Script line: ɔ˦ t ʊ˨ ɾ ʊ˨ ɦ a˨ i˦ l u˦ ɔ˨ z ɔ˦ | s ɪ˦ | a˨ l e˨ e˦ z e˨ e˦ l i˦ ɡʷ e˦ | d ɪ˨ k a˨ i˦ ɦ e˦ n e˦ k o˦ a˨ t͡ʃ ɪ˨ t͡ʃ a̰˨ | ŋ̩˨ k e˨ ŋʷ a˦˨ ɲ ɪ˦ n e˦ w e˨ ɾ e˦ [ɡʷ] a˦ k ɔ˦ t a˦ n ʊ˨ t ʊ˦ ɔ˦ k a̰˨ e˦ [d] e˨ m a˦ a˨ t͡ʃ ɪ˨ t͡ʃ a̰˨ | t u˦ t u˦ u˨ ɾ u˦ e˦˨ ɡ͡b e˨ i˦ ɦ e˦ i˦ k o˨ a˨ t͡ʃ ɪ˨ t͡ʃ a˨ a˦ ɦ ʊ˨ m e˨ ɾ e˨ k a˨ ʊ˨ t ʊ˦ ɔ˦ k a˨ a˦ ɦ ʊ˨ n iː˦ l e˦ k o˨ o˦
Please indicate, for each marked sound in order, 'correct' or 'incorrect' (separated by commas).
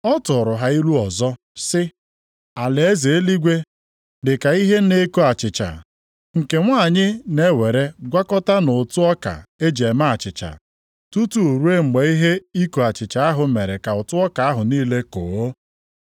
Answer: correct, incorrect